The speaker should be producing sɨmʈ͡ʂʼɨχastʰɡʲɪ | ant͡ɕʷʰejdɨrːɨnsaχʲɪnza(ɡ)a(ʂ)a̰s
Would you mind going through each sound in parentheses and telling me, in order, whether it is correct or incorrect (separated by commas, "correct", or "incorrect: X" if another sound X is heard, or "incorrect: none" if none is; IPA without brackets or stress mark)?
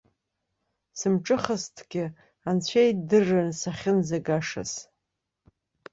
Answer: correct, correct